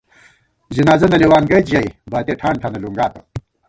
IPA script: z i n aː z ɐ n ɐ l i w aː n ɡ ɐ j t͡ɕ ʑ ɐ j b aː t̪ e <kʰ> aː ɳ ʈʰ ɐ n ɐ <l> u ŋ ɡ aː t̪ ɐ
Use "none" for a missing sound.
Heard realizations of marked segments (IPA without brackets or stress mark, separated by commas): ʈʰ, l